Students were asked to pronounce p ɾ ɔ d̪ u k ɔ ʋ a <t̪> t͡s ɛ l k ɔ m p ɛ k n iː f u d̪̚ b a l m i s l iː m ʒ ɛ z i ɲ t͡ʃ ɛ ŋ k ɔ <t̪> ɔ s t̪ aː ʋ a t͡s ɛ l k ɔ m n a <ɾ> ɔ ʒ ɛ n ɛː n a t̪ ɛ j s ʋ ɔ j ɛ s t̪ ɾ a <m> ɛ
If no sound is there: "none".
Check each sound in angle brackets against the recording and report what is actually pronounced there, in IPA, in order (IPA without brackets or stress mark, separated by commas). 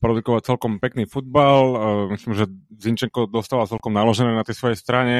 none, d̪, l, ɲ